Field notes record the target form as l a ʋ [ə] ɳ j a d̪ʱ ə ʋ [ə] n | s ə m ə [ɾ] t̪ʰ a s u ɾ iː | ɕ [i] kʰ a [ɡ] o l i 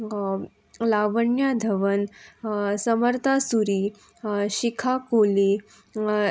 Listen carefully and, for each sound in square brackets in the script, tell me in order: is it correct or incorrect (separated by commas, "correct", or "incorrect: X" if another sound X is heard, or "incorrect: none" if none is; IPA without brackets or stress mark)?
correct, correct, correct, correct, incorrect: k